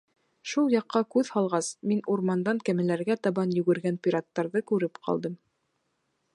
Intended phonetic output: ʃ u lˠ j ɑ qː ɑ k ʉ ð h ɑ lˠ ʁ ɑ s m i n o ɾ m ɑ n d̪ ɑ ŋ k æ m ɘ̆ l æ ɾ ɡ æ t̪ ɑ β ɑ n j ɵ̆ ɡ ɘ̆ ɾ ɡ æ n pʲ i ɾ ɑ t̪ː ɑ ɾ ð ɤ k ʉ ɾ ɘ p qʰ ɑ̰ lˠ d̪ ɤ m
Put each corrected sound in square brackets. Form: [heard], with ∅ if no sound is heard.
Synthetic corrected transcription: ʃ u lˠ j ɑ qː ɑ k ʉ ð h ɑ lˠ ʁ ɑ s m i n [u] ɾ m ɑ n d̪ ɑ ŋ k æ m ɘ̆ l æ ɾ ɡ æ t̪ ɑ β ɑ n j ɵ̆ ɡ ɘ̆ ɾ ɡ æ n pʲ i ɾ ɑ t̪ː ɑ ɾ ð ɤ k ʉ ɾ ɘ p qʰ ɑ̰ lˠ d̪ ɤ m